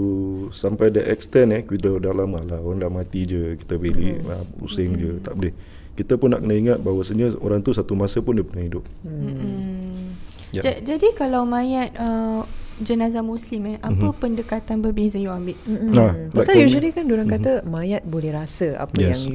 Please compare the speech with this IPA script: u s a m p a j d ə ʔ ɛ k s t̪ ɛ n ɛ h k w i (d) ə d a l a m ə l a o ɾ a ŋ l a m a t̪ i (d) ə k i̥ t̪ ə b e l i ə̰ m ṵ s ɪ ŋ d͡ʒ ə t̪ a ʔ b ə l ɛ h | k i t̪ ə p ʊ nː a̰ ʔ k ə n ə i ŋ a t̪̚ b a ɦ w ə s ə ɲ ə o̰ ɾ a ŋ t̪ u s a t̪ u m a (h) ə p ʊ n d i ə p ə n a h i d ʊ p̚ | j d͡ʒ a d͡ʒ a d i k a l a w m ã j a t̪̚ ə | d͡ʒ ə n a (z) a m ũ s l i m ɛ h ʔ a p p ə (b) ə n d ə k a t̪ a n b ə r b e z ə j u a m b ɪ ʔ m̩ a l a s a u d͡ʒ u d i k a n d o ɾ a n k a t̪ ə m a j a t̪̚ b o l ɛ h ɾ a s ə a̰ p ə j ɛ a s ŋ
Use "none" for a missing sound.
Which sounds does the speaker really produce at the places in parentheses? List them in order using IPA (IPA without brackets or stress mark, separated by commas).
d, d͡ʒ, s, z, p